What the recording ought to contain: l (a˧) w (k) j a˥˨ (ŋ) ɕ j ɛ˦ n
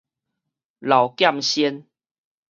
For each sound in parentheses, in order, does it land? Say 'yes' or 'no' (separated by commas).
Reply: no, yes, no